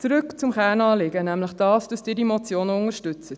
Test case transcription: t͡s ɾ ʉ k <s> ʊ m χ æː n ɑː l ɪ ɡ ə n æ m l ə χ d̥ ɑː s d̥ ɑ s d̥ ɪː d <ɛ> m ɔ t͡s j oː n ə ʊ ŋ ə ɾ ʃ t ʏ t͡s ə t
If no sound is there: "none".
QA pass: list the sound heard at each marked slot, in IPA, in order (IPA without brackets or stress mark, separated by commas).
t͡s, i